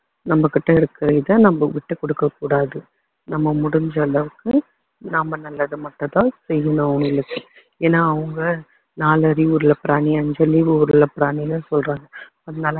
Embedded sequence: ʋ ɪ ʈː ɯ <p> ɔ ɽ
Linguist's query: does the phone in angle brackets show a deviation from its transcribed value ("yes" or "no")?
yes